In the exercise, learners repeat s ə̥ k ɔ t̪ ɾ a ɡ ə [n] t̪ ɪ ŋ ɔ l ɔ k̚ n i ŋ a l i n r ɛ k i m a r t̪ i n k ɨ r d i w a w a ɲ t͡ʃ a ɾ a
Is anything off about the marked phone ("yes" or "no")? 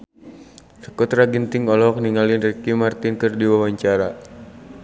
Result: no